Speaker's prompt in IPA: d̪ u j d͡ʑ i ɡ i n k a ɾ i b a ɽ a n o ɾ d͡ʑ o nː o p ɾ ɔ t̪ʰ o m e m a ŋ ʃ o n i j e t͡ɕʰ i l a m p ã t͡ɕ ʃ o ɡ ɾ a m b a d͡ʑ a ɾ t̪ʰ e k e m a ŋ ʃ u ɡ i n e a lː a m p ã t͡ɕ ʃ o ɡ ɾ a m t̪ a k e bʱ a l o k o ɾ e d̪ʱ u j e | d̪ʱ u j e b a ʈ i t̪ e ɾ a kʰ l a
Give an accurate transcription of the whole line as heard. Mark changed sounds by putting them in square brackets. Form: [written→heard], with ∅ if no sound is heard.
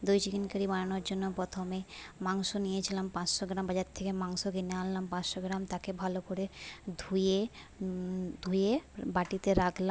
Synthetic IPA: d̪ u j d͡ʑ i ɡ i n k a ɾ i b a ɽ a n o ɾ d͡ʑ o nː o p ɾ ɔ t̪ʰ o m e m a ŋ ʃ o n i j e t͡ɕʰ i l a m p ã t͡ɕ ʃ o ɡ ɾ a m b a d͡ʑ a ɾ t̪ʰ e k e m a ŋ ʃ [u→o] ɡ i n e a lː a m p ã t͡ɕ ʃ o ɡ ɾ a m t̪ a k e bʱ a l o k o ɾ e d̪ʱ u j e | d̪ʱ u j e b a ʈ i t̪ e ɾ a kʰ l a

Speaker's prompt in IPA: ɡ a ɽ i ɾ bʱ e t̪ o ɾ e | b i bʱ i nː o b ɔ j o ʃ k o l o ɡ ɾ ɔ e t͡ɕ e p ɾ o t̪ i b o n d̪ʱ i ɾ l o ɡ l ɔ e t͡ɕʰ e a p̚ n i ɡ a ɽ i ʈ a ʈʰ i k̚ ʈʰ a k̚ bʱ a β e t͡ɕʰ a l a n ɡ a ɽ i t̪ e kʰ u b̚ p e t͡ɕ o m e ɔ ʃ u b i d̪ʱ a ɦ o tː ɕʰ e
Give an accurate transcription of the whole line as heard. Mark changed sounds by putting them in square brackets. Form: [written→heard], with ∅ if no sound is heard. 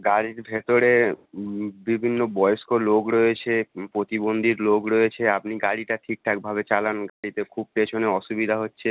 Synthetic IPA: ɡ a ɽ i ɾ bʱ e t̪ o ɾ e | b i bʱ i nː o b ɔ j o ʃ k o l o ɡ ɾ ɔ e [t͡ɕ→t͡ɕʰ] e p ɾ o t̪ i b o n d̪ʱ i ɾ l o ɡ [l→ɾ] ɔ e t͡ɕʰ e a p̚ n i ɡ a ɽ i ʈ a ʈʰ i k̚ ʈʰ a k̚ bʱ a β e [t͡ɕʰ→t͡ɕ] a l a n ɡ a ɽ i t̪ e kʰ u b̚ p e [t͡ɕ→t͡ɕʰ] o [m→n] e ɔ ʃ u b i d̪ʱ a ɦ o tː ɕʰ e

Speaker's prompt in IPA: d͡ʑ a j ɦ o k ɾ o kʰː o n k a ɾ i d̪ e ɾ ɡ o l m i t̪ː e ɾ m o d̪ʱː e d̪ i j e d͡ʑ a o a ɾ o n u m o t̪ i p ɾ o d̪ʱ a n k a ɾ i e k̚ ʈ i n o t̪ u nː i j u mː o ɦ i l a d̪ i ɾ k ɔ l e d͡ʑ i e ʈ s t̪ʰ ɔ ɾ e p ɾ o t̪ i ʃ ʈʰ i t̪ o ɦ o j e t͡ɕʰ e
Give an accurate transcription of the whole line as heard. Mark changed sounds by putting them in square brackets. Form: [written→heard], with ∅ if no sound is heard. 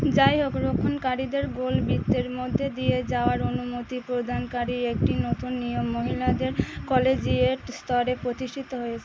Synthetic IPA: d͡ʑ a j ɦ o k ɾ o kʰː o n k a ɾ i d̪ e ɾ ɡ o l [m→b] i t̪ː e ɾ m o d̪ʱː e d̪ i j e d͡ʑ a o a ɾ o n u m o t̪ i p ɾ o d̪ʱ a n k a ɾ i e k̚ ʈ i n o t̪ u nː i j [u→o] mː o ɦ i l a d̪ [i→e] ɾ k ɔ l e d͡ʑ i e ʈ s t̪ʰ ɔ ɾ e p ɾ o t̪ i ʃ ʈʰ i t̪ o ɦ o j e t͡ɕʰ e

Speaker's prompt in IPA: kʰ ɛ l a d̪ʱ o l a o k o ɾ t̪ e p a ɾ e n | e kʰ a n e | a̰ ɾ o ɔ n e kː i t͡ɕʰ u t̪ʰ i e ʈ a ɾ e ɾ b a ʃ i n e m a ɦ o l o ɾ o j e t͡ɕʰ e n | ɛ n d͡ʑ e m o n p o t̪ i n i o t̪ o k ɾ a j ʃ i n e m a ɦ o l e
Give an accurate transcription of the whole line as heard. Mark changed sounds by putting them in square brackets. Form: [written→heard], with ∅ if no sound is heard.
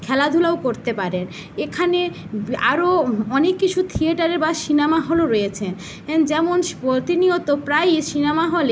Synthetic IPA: kʰ ɛ l a d̪ʱ [o→u] l a o k o ɾ t̪ e p a ɾ e n | e kʰ a n e | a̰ ɾ o ɔ n e kː i t͡ɕʰ u t̪ʰ i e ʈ a ɾ e ɾ b a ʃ i n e m a ɦ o l o ɾ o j e t͡ɕʰ e n | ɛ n d͡ʑ [e→ɛ] m o n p o t̪ i n i o t̪ o [k→p] ɾ a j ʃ i n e m a ɦ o l e

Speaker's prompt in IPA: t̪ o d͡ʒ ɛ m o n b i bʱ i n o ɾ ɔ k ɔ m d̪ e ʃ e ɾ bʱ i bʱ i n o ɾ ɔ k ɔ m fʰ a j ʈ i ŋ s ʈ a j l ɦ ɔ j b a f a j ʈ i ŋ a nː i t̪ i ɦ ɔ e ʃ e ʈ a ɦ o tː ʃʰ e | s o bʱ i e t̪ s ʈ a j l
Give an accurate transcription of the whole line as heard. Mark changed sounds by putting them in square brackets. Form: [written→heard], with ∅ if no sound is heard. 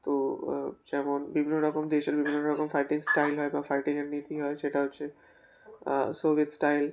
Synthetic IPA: t̪ o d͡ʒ ɛ m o n b i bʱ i n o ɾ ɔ k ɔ m d̪ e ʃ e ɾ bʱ i bʱ i n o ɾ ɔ k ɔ m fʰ a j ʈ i ŋ s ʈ a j l ɦ ɔ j b a f a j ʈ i ŋ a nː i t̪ i ɦ ɔ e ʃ e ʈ a ɦ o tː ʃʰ e | s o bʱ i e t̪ s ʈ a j l

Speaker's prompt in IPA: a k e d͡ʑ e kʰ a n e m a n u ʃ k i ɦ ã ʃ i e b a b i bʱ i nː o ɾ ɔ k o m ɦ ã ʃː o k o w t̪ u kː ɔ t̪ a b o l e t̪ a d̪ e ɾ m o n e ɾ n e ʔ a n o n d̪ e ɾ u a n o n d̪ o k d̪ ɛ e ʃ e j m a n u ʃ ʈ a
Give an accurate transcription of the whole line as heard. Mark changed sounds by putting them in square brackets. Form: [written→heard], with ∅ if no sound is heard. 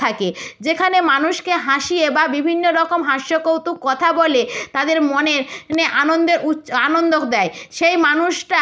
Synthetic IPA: a k e d͡ʑ e kʰ a n e m a n u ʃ k [i→e] ɦ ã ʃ i e b a b i bʱ i nː o ɾ ɔ k o m ɦ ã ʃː o k o w t̪ u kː ɔ [t̪→t̪ʰ] a b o l e t̪ a d̪ e ɾ m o n e ɾ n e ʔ a n o n d̪ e ɾ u a n o n d̪ o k d̪ ɛ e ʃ e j m a n u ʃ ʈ a

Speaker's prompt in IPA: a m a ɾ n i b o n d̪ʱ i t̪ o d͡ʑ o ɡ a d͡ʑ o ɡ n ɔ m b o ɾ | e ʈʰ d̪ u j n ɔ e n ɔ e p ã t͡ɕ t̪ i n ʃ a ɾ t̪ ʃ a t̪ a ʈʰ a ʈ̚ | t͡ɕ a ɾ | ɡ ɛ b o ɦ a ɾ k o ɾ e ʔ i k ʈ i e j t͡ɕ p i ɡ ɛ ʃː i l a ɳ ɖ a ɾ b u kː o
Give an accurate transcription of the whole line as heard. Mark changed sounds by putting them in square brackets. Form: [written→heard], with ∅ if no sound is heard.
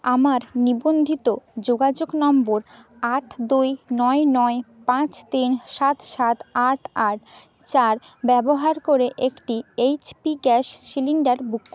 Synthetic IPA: a m a ɾ n i b o n d̪ʱ i t̪ o d͡ʑ o ɡ a d͡ʑ o ɡ n ɔ m b o ɾ | [e→a] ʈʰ d̪ u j n ɔ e n ɔ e p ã t͡ɕ t̪ i n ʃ a [ɾ→∅] t̪ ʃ a t̪ a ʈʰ a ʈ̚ | t͡ɕ a ɾ | [ɡ→b] ɛ b o ɦ a ɾ k o ɾ e ʔ [i→e] k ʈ i e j t͡ɕ p i ɡ ɛ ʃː i l [a→i] ɳ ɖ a ɾ b u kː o

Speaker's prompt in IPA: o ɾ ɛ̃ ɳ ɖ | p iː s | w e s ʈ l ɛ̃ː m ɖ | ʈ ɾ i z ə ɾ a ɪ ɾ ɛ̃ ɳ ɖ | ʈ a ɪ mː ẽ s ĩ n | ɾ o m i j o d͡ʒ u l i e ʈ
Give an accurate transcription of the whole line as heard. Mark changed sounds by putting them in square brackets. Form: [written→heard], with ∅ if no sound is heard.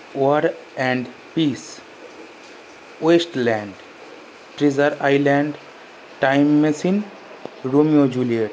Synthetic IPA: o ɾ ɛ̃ ɳ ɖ | p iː s | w e s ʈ l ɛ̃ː [m→ɳ] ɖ | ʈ ɾ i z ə ɾ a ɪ [ɾ→l] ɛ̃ ɳ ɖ | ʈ a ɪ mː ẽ s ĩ n | ɾ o m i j o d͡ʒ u l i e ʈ

